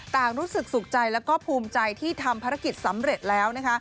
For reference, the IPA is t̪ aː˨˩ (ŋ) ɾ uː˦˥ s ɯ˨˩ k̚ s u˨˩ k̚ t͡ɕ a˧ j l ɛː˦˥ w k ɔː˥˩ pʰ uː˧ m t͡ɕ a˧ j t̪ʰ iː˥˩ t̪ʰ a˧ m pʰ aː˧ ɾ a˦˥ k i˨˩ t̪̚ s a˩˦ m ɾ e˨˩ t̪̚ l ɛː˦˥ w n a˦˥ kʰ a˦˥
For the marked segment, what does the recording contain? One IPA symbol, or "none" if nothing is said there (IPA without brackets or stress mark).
ŋ